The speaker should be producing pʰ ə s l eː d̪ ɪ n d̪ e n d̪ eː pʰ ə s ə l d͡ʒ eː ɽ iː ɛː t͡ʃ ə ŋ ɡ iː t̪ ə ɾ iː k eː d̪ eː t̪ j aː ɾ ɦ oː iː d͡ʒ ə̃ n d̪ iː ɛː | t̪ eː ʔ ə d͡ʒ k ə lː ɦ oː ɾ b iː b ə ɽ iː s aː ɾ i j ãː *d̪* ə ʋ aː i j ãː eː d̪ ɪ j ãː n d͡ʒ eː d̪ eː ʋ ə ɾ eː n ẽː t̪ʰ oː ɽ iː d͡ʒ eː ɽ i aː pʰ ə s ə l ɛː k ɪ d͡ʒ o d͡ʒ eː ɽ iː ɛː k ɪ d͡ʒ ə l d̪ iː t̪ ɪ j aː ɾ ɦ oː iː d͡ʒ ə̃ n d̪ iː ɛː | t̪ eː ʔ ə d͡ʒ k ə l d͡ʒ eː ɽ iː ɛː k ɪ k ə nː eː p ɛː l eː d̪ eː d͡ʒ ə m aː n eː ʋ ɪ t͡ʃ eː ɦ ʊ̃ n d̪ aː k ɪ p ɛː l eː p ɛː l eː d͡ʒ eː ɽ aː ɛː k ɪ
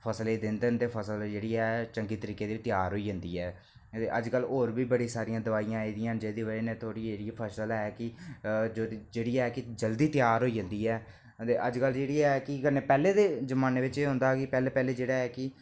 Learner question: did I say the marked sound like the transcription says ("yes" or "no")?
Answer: yes